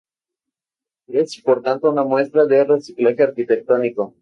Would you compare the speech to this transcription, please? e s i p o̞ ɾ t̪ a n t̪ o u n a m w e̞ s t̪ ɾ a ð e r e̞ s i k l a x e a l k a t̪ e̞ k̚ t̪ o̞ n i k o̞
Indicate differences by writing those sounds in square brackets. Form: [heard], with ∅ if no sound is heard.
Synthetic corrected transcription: e s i p o̞ ɾ t̪ a n t̪ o u n a m w e̞ s t̪ ɾ a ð e r e̞ s i k l a x e a [ɾ] k [i] t̪ e̞ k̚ t̪ o̞ n i k o̞